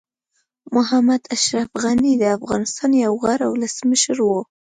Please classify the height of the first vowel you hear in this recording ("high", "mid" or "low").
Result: high